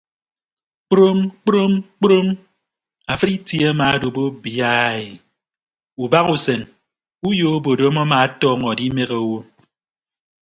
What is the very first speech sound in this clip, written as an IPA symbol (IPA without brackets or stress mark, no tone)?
k͡p